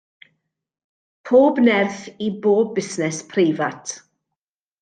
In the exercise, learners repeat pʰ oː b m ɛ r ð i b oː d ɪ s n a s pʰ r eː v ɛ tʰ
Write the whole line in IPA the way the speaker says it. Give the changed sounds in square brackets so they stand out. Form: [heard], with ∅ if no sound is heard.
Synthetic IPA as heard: pʰ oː b [n] ɛ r [θ] i b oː [b] ɪ s n [ɛ] s pʰ r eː v [a] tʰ